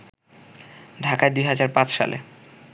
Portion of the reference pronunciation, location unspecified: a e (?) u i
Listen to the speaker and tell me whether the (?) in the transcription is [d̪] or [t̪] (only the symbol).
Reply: d̪